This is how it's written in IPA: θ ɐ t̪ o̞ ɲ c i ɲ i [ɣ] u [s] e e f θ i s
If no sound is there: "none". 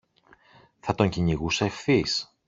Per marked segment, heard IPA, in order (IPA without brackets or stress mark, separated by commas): ɣ, s